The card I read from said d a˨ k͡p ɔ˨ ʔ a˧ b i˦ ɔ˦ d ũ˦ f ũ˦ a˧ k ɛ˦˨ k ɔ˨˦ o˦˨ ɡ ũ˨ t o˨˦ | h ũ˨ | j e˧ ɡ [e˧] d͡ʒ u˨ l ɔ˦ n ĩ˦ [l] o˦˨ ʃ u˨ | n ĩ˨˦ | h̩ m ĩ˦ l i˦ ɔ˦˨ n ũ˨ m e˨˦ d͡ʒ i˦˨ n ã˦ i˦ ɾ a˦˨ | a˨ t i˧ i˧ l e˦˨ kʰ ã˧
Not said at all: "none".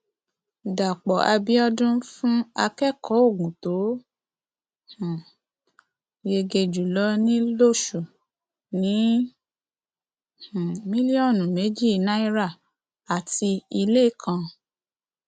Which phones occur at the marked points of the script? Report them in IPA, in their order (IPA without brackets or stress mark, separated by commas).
e˧, l